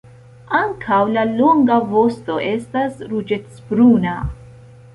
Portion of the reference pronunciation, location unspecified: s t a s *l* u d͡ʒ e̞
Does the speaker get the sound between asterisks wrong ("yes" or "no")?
yes